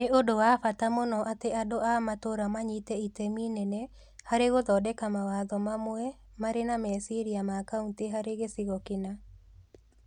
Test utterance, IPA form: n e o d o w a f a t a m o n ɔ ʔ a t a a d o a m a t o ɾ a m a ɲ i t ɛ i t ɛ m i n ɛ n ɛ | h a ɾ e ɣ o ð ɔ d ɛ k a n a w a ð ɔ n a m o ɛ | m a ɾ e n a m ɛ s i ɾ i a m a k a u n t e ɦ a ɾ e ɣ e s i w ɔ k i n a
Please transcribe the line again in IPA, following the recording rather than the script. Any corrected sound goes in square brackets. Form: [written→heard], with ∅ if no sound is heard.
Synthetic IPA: n e o d o w a f a t a m o n ɔ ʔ a t [a→e] a d o a m a t o ɾ a m a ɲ i t ɛ i t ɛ m i n ɛ n ɛ | h a ɾ e ɣ o ð ɔ d ɛ k a [n→m] a w a ð ɔ [n→m] a m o ɛ | m a ɾ e n a m ɛ s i ɾ i a m a k a u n t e ɦ a ɾ e ɣ e s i [w→ɣ] ɔ k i n a